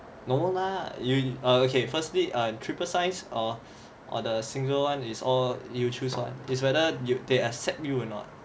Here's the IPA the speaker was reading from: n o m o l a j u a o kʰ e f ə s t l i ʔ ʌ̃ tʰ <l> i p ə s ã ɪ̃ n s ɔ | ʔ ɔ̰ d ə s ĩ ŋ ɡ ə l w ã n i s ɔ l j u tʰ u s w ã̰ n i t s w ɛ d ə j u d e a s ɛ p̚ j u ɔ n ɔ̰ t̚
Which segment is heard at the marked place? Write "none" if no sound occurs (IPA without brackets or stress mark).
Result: ɹ